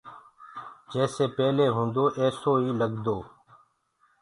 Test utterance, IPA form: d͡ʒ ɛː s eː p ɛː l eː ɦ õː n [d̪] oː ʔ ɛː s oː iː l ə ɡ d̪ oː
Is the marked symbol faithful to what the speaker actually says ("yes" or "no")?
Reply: yes